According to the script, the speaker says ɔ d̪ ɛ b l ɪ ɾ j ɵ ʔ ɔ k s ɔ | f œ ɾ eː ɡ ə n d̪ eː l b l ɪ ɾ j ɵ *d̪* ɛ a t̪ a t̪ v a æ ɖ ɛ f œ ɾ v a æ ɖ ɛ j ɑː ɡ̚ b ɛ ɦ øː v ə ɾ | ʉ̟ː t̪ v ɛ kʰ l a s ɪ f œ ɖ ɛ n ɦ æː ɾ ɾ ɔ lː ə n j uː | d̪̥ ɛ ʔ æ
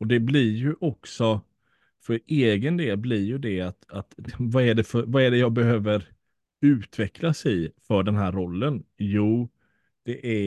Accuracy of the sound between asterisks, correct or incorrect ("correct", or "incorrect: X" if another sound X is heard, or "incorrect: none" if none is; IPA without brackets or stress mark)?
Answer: correct